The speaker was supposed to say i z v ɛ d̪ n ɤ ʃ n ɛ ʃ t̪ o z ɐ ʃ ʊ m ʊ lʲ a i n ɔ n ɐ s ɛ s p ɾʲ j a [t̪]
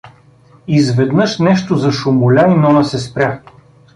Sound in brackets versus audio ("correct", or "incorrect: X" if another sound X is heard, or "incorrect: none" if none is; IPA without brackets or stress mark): incorrect: none